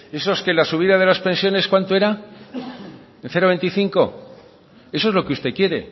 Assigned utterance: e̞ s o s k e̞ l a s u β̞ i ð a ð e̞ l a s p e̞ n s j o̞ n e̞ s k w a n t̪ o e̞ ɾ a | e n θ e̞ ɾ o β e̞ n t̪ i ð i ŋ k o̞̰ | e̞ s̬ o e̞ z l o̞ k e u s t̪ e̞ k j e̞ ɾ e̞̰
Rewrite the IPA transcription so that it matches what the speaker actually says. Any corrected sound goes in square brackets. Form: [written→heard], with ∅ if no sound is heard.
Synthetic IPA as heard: e̞ s o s k e̞ l a s u β̞ i ð a ð e̞ l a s p e̞ n s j o̞ n e̞ s k w a n t̪ o e̞ ɾ a | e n θ e̞ ɾ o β e̞ n t̪ i [ð→θ] i ŋ k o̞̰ | e̞ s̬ o e̞ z l o̞ k e u s t̪ e̞ k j e̞ ɾ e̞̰

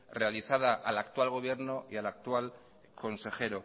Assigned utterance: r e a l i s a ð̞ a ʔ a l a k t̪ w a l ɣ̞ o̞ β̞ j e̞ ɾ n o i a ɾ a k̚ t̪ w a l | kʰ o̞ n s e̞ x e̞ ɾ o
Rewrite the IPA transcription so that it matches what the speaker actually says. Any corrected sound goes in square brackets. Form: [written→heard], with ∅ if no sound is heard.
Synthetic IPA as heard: r e a l i [s→θ] a ð̞ a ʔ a l a k t̪ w a l ɣ̞ o̞ β̞ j e̞ ɾ n o i a [ɾ→l] a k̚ t̪ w a l | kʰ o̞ n s e̞ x e̞ ɾ o

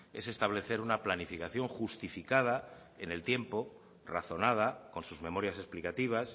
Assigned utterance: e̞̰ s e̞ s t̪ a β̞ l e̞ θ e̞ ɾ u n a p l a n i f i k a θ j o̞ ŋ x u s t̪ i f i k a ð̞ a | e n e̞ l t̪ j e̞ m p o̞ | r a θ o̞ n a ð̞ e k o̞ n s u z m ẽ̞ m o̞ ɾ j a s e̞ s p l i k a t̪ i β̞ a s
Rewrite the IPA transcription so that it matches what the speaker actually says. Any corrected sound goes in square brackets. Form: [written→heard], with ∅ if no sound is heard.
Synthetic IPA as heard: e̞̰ s e̞ s t̪ a β̞ l e̞ θ e̞ ɾ u n a p l a n i f i k a θ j o̞ ŋ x u s t̪ i f i k a ð̞ a | e n e̞ l t̪ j e̞ m p o̞ | r a θ o̞ n a ð̞ [e→a] k o̞ n s u z m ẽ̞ m o̞ ɾ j a s e̞ s p l i k a t̪ i β̞ a s

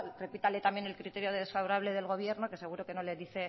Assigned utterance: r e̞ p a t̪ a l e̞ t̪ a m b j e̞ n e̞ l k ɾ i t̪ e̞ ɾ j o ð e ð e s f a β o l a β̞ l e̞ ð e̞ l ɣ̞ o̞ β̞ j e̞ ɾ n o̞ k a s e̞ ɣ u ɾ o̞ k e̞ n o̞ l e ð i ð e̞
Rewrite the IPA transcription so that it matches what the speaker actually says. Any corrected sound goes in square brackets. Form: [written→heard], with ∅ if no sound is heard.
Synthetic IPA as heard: r e̞ p [a→i] t̪ a l e̞ t̪ a m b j e̞ n e̞ l k ɾ i t̪ e̞ ɾ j o ð e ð e s f a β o [l→ɾ] a β̞ l e̞ ð e̞ l ɣ̞ o̞ β̞ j e̞ ɾ n o̞ k [a→e] s e̞ ɣ u ɾ o̞ k e̞ n o̞ l e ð i [ð→θ] e̞

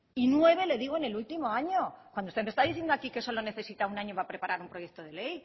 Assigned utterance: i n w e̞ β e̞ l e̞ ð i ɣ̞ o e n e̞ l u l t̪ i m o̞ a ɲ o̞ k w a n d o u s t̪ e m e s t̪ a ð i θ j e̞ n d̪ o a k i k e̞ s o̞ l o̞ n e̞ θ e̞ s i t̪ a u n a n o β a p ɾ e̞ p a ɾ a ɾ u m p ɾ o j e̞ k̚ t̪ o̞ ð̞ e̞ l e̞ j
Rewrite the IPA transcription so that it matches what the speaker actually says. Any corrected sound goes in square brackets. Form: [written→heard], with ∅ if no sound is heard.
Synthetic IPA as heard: i n w e̞ β e̞ l e̞ ð i ɣ̞ o e n e̞ l u l t̪ i m o̞ a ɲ o̞ k w a n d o u s t̪ e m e s t̪ a ð i θ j e̞ n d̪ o a k i k e̞ s o̞ l o̞ n e̞ θ e̞ s i t̪ a u n a [n→ɲ] o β a p ɾ e̞ p a ɾ a ɾ u m p ɾ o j e̞ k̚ t̪ o̞ ð̞ e̞ l e̞ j

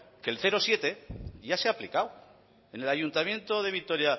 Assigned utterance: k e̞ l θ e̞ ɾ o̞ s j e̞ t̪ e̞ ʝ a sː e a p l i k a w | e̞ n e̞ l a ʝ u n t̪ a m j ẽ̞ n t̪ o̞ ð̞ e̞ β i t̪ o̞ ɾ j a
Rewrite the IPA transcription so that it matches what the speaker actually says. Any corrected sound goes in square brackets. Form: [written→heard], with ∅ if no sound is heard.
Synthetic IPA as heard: k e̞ l θ e̞ ɾ o̞ s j e̞ t̪ e̞ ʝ a [sː→s] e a p l i k a w | e̞ n e̞ l a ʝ u n t̪ a m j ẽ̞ n t̪ o̞ ð̞ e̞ β i t̪ o̞ ɾ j a

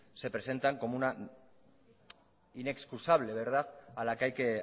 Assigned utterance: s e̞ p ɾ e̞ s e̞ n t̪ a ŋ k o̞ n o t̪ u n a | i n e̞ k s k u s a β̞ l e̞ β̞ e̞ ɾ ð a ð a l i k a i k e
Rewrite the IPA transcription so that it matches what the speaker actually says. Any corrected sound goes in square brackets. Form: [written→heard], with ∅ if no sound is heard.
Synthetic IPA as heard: s e̞ p ɾ e̞ s e̞ n t̪ a ŋ k o̞ [n→m] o [t̪→∅] u n a | i n e̞ k s k u s a β̞ l e̞ β̞ e̞ ɾ ð a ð a l [i→a] k a [i→j] k e

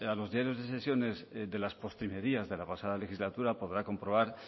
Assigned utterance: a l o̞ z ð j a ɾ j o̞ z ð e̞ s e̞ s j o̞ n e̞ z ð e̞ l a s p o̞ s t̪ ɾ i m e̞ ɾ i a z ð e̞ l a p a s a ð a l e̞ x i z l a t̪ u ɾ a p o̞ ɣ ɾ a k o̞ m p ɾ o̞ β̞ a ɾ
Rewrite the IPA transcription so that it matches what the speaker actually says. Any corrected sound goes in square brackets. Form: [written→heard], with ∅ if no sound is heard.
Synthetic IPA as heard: a l o̞ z ð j a ɾ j o̞ z ð e̞ s e̞ s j o̞ n e̞ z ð e̞ l a s p o̞ s t̪ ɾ i m e̞ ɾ i a z ð e̞ l a p a s a ð a l e̞ x i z l a t̪ u ɾ a p o̞ [ɣ→ð] ɾ a k o̞ m p ɾ o̞ β̞ a ɾ

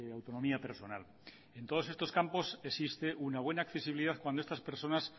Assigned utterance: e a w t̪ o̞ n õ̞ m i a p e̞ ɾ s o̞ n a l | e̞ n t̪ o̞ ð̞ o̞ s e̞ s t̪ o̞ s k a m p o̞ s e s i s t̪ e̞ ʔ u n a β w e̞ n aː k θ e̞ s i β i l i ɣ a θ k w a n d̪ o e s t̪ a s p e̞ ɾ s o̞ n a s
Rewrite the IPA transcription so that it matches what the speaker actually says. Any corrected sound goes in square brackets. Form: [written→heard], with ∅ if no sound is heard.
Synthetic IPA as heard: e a w t̪ o̞ n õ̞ m i a p e̞ ɾ s o̞ n a l | e̞ n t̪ o̞ ð̞ o̞ s e̞ s t̪ o̞ s k a m p o̞ s e s i s t̪ e̞ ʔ u n a β w e̞ n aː k θ e̞ s i β i l i [ɣ→ð] a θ k w a n d̪ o e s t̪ a s p e̞ ɾ s o̞ n a s

